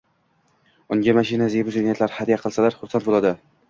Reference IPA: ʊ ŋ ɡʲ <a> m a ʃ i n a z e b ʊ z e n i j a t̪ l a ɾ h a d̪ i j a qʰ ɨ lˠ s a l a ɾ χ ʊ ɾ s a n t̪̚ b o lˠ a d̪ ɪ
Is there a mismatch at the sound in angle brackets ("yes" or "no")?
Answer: no